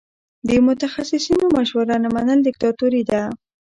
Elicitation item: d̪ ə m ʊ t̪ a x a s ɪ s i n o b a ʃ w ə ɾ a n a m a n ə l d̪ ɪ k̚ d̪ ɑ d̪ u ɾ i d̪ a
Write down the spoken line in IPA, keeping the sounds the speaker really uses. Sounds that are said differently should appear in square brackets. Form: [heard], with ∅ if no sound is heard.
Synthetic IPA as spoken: d̪ ə m ʊ t̪ a x a s ɪ s i n o [m] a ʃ w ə ɾ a n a m a n ə l d̪ ɪ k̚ [t̪] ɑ [t̪] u ɾ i d̪ a